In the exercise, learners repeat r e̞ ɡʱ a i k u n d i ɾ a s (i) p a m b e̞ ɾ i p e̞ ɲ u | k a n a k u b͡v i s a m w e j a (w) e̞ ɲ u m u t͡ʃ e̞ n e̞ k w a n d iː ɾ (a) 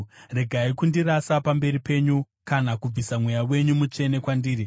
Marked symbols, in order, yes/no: no, yes, no

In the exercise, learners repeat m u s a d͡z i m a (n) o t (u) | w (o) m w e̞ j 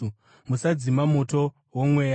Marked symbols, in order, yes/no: no, no, yes

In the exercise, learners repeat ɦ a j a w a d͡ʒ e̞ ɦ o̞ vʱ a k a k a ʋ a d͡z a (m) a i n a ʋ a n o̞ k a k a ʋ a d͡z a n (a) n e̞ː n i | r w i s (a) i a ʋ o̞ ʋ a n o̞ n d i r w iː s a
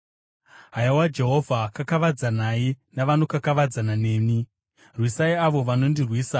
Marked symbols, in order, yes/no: no, yes, yes

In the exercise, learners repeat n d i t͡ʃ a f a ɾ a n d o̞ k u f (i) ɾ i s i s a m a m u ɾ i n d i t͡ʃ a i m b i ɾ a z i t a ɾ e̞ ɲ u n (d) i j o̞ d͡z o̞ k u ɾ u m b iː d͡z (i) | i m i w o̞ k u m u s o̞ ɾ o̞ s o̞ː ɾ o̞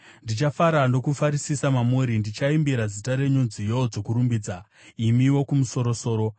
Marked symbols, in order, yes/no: no, no, no

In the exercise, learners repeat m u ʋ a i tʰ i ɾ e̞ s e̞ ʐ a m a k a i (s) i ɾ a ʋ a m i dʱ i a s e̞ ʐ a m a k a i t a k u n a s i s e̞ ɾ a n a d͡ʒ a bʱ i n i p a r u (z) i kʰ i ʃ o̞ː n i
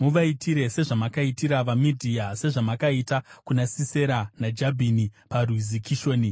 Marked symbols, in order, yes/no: no, yes

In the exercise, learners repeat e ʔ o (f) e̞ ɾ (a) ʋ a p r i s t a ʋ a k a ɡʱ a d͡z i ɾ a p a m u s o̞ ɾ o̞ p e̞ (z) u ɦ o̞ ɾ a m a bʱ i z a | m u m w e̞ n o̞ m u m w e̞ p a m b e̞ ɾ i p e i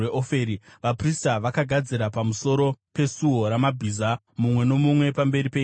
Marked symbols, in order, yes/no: yes, no, no

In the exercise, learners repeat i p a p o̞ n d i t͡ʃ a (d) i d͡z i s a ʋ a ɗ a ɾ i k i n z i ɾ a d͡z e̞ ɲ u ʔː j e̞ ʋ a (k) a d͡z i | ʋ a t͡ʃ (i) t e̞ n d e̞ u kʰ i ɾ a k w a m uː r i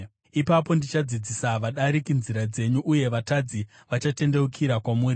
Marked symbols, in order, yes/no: no, no, no

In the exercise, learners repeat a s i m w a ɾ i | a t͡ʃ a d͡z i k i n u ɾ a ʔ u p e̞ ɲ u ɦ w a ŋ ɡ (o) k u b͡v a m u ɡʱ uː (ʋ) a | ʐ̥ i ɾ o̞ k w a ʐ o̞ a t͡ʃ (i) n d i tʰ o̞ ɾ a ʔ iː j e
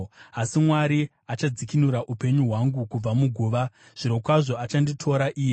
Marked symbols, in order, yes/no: no, yes, no

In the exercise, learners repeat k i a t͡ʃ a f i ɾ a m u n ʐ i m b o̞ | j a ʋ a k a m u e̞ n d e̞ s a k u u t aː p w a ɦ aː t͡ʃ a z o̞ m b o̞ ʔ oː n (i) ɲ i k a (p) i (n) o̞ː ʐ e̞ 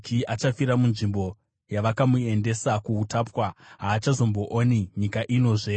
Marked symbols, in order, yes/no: yes, no, yes

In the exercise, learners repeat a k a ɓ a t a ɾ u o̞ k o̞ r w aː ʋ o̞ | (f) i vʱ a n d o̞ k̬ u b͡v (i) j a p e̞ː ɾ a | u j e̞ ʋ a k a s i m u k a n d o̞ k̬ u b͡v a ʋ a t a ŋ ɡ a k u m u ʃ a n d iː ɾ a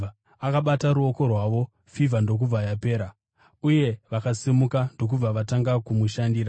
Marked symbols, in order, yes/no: yes, no

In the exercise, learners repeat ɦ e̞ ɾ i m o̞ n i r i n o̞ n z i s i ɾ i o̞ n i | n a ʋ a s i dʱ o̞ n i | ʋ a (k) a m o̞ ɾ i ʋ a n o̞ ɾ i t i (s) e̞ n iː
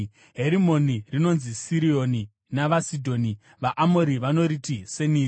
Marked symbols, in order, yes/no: no, yes

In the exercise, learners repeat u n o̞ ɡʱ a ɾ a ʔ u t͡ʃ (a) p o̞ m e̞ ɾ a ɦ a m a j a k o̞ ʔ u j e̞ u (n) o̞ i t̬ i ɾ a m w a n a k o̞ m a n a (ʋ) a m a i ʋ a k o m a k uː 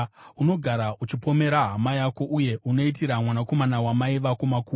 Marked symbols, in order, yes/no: no, yes, no

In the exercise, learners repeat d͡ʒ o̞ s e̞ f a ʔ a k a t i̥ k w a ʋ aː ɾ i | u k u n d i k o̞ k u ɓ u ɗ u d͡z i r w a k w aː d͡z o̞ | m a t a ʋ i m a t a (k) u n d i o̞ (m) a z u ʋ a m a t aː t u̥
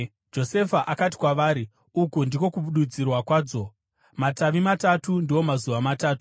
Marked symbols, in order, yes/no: no, yes

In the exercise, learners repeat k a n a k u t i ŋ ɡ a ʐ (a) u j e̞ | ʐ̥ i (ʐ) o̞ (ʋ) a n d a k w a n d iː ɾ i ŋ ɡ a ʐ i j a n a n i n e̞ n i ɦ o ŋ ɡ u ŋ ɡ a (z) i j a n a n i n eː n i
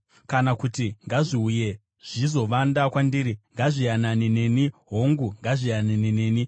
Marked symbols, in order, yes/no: no, no, yes, no

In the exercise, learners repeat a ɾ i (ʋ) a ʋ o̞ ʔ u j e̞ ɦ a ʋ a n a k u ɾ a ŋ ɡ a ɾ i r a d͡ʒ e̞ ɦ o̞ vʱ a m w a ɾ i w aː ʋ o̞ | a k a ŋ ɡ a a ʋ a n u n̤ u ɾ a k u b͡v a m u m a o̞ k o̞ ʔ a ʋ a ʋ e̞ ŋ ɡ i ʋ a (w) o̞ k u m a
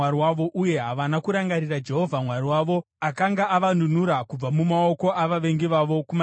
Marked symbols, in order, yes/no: no, no

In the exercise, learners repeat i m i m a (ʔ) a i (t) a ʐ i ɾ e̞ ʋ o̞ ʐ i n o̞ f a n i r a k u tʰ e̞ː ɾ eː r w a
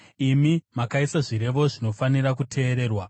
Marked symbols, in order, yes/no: no, no

